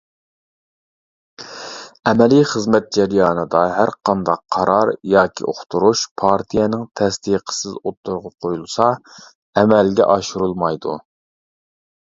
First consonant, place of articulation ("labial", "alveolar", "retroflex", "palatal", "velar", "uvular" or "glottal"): labial